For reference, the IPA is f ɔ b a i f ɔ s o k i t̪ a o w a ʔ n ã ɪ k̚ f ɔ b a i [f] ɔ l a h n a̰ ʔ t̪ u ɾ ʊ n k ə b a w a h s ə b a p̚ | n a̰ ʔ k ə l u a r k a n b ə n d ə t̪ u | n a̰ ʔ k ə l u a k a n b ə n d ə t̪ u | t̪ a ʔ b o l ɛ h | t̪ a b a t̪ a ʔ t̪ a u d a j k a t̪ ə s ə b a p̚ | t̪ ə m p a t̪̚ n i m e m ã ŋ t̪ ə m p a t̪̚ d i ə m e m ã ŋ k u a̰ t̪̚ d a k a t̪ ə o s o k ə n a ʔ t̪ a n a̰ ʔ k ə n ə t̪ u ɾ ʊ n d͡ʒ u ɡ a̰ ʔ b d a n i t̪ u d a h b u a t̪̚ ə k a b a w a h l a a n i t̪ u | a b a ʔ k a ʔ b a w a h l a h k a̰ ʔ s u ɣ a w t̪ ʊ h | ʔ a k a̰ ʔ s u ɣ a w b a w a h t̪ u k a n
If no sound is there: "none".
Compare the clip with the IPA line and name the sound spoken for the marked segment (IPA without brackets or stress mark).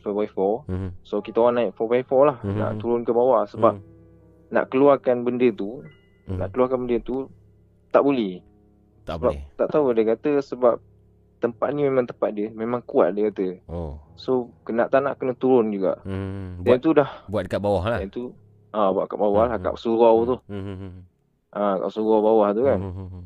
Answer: f